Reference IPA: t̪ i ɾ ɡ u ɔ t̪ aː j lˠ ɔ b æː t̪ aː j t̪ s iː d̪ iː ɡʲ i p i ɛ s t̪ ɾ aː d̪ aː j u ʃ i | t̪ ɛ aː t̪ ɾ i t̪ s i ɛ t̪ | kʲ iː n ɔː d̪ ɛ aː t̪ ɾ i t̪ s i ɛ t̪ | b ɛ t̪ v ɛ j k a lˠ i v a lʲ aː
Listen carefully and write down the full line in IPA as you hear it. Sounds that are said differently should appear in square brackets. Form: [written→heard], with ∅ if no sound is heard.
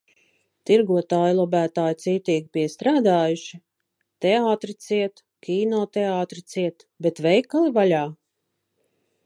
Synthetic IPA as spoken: t̪ i ɾ ɡ u ɔ t̪ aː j lˠ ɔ b æː t̪ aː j t̪ s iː [d̪→t̪] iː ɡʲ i p i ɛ s t̪ ɾ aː d̪ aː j u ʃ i | t̪ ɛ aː t̪ ɾ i t̪ s i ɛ t̪ | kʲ iː n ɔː [d̪→t̪] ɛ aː t̪ ɾ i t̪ s i ɛ t̪ | b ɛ t̪ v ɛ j k a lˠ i v a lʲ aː